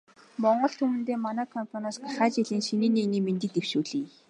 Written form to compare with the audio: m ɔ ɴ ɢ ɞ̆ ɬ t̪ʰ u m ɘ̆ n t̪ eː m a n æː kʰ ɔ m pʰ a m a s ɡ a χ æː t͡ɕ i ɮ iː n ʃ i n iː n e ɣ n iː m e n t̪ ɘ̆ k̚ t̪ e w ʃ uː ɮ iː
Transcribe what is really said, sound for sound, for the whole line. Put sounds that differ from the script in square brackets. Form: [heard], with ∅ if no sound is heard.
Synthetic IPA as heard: m ɔ ɴ ɢ ɞ̆ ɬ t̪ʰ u m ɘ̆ n t̪ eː m a n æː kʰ ɔ m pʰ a [n] a s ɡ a χ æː t͡ɕ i ɮ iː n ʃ i n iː n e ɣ n iː m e n t̪ ɘ̆ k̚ t̪ e w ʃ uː ɮ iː